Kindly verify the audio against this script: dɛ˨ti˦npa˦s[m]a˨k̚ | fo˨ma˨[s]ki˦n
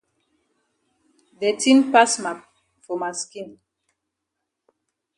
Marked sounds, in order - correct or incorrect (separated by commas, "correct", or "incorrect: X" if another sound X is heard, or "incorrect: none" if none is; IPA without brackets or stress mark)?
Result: correct, correct